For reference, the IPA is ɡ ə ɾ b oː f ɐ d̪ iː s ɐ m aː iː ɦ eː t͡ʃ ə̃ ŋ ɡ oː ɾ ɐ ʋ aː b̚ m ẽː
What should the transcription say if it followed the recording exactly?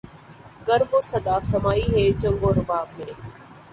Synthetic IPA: ɡ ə ɾ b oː s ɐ d̪ aː s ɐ m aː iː ɦ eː t͡ʃ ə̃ ŋ ɡ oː ɾ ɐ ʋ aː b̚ m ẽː